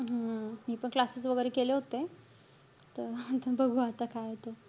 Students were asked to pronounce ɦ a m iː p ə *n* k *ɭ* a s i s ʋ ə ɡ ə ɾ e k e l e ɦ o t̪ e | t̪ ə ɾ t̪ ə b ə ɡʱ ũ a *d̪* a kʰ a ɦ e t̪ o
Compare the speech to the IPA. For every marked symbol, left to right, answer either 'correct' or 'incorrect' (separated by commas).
incorrect, incorrect, incorrect